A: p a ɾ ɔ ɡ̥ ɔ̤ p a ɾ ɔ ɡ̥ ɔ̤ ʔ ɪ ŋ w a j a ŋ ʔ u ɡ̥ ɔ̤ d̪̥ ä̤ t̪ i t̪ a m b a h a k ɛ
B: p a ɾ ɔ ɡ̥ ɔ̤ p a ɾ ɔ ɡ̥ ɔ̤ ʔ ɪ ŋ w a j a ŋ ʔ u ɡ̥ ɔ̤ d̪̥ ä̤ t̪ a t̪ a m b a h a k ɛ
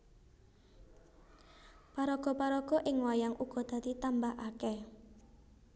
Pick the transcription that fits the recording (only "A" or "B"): A